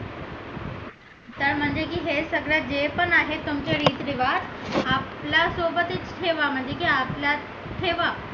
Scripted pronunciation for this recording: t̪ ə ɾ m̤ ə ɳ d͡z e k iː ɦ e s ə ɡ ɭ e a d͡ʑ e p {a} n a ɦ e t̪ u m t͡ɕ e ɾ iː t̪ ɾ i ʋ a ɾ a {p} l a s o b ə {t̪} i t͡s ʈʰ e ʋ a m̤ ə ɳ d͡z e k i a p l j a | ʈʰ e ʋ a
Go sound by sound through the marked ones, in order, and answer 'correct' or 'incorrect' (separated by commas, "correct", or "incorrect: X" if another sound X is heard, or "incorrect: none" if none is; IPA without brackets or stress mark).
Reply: incorrect: ə, correct, correct